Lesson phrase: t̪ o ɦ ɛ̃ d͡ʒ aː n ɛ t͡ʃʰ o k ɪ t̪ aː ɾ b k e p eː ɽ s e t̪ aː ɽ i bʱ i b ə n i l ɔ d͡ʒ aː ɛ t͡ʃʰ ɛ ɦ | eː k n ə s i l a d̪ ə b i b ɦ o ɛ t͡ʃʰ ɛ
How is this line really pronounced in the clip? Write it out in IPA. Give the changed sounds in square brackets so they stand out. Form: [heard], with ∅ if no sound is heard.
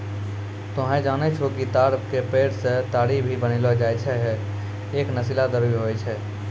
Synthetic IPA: t̪ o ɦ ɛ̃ d͡ʒ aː n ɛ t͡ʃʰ o k [i] t̪ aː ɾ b k e p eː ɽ s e t̪ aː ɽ i bʱ i b ə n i l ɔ d͡ʒ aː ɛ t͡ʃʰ ɛ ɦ | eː k n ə s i l a d̪ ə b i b ɦ o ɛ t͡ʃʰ ɛ